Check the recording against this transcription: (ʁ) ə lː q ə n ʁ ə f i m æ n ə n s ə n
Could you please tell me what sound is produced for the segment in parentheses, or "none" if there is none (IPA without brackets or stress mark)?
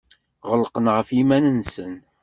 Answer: ʁ